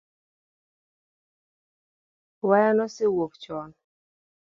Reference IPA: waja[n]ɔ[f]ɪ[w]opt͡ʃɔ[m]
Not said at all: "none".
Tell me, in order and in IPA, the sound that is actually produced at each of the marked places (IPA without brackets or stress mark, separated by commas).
n, s, w, n